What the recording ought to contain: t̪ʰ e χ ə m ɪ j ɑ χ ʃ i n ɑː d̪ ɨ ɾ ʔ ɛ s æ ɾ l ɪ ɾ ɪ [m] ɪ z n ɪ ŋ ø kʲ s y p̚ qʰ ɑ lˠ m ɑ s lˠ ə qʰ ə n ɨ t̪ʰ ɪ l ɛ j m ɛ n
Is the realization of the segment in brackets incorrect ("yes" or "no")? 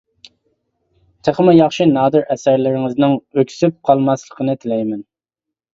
yes